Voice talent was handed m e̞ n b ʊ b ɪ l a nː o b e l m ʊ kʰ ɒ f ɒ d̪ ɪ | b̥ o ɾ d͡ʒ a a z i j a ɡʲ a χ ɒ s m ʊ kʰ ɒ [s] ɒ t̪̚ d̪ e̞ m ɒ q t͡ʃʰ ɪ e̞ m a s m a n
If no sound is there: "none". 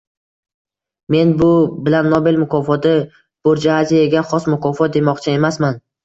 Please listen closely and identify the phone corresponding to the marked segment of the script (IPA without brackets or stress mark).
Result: f